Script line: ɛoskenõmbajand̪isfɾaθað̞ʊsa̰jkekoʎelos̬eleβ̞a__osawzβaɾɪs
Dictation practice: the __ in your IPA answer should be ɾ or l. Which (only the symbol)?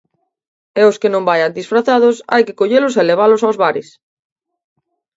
l